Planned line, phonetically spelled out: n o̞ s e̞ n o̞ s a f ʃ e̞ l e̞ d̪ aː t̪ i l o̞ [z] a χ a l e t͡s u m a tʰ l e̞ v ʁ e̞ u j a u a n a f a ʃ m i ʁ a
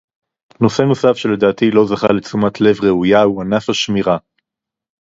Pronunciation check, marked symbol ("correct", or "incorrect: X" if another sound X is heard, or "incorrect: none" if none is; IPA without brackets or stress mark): correct